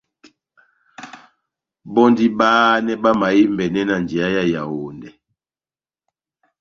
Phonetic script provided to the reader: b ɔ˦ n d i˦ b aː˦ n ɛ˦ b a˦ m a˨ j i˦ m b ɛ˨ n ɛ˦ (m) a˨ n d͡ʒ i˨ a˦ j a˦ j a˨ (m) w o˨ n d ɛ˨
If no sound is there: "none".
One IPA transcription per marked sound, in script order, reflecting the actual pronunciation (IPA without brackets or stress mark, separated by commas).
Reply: n, none